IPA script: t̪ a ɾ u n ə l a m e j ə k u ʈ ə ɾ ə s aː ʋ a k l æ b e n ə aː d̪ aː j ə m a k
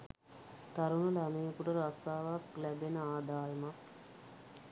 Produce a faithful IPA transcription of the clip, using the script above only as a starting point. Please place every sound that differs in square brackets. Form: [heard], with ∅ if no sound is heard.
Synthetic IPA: t̪ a ɾ u n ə l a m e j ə k u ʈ ə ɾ [a] s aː ʋ a k l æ b e n ə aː d̪ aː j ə m a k